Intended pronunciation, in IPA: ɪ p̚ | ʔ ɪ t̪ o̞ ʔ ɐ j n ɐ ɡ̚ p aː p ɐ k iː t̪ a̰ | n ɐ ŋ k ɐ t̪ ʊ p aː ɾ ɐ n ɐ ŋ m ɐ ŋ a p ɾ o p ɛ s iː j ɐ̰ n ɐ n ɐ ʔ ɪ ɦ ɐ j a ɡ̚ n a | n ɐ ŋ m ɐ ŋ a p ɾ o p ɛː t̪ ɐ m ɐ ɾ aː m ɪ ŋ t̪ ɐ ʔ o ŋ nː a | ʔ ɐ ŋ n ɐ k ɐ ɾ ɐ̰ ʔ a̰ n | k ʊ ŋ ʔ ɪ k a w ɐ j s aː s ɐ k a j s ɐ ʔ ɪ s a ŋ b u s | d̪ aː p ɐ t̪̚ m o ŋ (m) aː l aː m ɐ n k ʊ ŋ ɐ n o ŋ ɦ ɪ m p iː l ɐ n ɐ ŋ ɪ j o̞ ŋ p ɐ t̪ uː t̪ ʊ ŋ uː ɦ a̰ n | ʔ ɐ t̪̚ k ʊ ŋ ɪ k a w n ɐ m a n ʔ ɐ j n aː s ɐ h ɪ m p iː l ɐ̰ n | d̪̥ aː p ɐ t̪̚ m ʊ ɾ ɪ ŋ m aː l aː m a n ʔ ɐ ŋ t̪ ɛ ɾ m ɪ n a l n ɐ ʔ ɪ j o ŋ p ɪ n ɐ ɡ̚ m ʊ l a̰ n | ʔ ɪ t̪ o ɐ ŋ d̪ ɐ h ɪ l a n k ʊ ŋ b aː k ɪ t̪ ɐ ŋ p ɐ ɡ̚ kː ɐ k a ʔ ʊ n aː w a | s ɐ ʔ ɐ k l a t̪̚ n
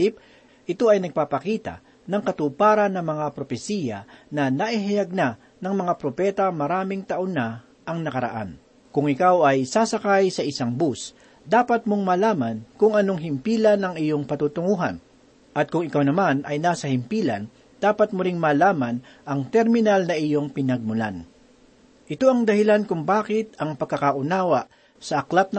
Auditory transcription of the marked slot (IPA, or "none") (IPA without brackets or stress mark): m